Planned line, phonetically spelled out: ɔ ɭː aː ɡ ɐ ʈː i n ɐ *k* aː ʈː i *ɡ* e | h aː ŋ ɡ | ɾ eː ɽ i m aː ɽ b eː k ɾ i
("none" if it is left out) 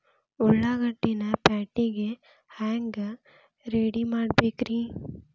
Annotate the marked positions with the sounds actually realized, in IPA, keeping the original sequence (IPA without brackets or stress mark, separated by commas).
p, ɡ